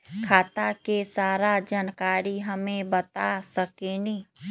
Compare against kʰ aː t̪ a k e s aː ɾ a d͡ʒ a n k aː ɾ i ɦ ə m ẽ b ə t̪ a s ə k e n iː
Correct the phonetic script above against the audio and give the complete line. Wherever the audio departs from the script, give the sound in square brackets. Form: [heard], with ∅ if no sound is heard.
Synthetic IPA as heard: kʰ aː t̪ a k e s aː ɾ a d͡ʒ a n k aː ɾ i ɦ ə m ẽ b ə t̪ a s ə k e n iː